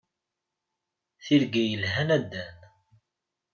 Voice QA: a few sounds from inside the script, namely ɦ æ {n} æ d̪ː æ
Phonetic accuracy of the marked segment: correct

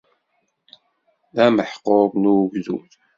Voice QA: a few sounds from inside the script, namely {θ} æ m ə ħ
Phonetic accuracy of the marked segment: incorrect: ð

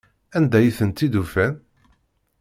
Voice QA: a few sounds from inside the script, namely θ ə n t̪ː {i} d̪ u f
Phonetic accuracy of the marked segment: correct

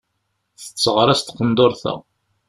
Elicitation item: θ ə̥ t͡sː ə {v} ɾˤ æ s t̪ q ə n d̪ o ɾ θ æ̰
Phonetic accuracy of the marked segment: incorrect: ʁ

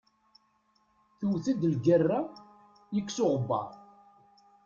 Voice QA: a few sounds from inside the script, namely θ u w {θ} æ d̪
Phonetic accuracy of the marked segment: correct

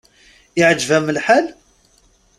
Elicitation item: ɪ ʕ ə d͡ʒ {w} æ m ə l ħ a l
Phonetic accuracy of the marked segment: incorrect: v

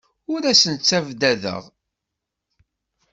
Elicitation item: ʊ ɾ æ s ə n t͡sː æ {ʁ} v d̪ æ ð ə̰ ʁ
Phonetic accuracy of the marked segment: incorrect: none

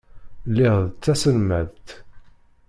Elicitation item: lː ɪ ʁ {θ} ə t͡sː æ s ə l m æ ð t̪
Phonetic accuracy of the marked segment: incorrect: ð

